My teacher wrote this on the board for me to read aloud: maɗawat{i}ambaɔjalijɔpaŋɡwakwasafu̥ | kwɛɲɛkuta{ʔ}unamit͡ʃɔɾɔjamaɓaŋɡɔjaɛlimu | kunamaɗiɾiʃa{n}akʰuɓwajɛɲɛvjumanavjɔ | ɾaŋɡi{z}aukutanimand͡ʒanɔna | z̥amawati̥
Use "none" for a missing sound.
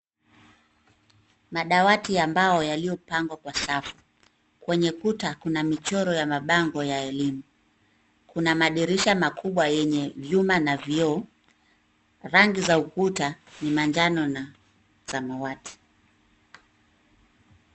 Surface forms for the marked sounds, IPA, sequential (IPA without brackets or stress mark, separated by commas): i, k, m, z